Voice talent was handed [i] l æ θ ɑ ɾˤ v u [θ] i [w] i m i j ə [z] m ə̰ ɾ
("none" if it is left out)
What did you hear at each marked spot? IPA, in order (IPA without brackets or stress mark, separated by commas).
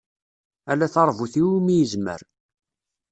æ, θ, w, z